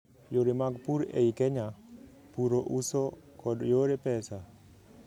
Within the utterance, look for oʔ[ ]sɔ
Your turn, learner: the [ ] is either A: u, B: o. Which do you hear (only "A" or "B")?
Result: A